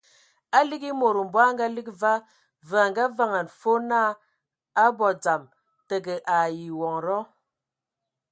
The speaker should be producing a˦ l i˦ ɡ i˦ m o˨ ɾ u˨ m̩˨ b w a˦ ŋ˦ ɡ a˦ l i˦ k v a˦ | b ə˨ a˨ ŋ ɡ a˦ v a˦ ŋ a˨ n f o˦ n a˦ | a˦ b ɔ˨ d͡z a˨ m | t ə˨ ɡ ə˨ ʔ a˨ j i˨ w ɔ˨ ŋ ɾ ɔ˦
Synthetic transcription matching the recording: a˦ l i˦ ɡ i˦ m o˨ ɾ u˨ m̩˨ b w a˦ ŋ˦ ɡ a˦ l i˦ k v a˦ | v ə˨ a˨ ŋ ɡ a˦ v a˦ ŋ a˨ n f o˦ n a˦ | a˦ b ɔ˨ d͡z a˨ m | t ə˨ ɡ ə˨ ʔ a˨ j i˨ w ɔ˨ ŋ ɾ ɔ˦